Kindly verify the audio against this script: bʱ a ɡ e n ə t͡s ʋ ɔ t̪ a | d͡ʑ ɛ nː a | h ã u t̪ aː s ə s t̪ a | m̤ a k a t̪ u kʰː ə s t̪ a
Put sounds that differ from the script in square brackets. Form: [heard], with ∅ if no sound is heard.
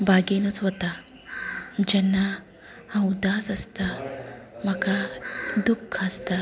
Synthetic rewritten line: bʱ a ɡ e n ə t͡s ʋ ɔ t̪ a | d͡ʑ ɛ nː a | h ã u [d̪] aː s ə s t̪ a | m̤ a k a [d̪] u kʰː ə s t̪ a

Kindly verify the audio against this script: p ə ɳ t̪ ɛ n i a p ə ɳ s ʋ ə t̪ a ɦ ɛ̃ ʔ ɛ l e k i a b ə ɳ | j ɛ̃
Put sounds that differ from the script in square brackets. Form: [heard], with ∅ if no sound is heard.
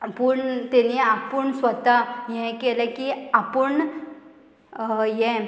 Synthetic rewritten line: p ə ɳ t̪ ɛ n i a p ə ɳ s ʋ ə t̪ a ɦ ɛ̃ [k] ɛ l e k i a [p] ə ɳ | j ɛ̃

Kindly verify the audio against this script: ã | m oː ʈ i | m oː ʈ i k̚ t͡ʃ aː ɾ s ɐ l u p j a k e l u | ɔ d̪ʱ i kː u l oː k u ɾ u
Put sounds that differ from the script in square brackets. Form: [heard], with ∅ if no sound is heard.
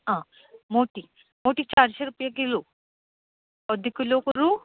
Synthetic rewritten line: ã | m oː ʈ i | m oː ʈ i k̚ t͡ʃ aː ɾ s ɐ [ɾ] u p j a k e l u | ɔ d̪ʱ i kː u l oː k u ɾ u

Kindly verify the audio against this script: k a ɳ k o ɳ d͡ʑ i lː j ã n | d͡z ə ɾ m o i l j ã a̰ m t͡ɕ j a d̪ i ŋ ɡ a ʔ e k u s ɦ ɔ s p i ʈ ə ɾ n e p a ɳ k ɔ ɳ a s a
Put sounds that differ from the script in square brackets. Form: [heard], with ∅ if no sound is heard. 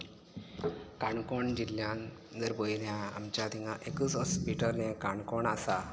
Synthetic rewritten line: k a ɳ k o ɳ d͡ʑ i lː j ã n | d͡z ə ɾ [b] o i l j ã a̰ m t͡ɕ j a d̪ i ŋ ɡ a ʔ e k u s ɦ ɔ s p i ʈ ə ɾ n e [k] a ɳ k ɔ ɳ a s a

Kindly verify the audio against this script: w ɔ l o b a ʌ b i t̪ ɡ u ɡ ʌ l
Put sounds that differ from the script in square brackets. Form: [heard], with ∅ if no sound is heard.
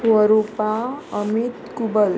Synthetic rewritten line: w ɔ [ɾ] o [p] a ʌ [m] i t̪ [k] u [b] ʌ l

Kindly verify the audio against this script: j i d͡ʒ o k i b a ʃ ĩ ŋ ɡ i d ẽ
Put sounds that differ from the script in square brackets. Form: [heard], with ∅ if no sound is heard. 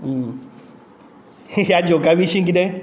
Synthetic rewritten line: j [a] d͡ʒ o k [a] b [i] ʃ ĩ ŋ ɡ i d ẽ

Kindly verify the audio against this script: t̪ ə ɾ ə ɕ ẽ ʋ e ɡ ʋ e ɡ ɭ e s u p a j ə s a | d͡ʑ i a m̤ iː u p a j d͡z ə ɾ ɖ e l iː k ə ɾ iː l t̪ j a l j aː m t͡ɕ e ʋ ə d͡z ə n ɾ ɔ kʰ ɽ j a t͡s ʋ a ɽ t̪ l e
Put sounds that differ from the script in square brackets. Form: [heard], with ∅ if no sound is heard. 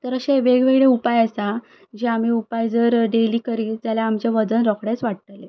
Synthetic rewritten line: t̪ ə ɾ ə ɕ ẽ ʋ e ɡ ʋ e ɡ ɭ e [∅] u p a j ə s a | d͡ʑ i a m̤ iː u p a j d͡z ə ɾ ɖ e l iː k ə ɾ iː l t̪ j a l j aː m t͡ɕ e ʋ ə d͡z ə n ɾ ɔ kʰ ɽ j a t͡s ʋ a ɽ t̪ l e

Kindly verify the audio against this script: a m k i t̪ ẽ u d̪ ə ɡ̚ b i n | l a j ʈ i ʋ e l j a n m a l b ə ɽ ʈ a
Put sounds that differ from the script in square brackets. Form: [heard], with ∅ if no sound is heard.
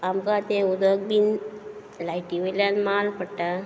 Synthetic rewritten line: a m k [a] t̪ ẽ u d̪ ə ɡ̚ b i n | l a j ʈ i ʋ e l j a n m a l [p] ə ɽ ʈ a

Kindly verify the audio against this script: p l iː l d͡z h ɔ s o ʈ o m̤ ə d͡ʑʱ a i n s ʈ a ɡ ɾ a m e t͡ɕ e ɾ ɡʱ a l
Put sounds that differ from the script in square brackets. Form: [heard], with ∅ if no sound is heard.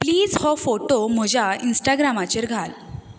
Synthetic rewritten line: p l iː [∅] d͡z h ɔ [f] o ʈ o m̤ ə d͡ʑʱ a i n s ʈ a ɡ ɾ a m [a] t͡ɕ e ɾ ɡʱ a l

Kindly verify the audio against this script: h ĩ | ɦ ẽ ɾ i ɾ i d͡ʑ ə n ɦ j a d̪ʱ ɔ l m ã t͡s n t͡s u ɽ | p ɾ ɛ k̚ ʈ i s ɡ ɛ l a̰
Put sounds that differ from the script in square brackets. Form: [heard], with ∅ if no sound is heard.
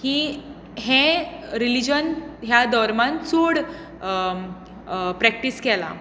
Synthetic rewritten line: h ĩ | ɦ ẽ ɾ i [l] i d͡ʑ ə n ɦ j a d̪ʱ ɔ [ɾ] m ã [∅] n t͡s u ɽ | p ɾ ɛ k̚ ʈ i s [k] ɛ l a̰

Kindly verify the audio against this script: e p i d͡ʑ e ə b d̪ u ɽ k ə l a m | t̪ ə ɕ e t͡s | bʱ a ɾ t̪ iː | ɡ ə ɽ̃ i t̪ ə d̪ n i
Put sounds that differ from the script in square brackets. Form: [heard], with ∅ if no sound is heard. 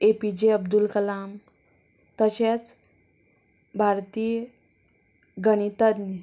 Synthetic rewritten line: e p i d͡ʑ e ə b d̪ u [l] k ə l a m | t̪ ə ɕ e t͡s | bʱ a ɾ t̪ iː | ɡ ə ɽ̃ i t̪ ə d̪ n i

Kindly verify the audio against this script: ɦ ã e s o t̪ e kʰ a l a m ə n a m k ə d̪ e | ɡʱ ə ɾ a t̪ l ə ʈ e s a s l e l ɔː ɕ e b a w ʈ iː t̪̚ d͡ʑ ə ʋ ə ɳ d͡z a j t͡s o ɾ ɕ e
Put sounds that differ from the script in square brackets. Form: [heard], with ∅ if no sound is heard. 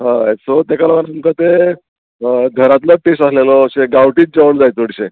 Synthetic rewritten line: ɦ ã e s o t̪ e [k] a l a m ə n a m k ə [t̪] e | ɡʱ ə ɾ a t̪ l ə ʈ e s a s l e l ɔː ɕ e [ɡ] a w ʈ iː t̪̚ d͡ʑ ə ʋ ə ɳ d͡z a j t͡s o [ɽ] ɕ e

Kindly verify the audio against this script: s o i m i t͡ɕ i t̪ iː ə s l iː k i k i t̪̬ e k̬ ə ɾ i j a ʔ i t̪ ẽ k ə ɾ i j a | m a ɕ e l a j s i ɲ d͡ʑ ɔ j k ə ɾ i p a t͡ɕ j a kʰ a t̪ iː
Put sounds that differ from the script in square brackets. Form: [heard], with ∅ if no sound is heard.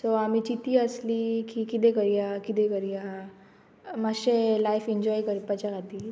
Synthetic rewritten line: s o [a] m i t͡ɕ i t̪ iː ə s l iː k i k i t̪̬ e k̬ ə ɾ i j a [k] i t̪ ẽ k ə ɾ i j a | m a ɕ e l a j [f] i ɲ d͡ʑ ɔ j k ə ɾ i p a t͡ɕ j a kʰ a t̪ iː

